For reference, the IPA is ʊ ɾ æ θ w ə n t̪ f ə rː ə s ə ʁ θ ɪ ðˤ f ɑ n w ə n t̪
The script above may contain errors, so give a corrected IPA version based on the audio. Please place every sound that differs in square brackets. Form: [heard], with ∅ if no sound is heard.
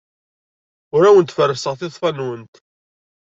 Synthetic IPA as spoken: ʊ ɾ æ [∅] w ə n t̪ f ə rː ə s ə ʁ θ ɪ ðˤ f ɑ n w ə n t̪